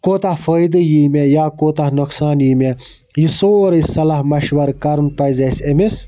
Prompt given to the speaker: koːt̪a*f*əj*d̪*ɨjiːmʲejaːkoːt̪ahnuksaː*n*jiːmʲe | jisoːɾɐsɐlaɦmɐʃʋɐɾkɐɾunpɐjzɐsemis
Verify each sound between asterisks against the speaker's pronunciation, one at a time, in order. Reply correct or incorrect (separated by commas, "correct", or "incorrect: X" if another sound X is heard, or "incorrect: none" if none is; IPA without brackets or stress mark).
correct, correct, correct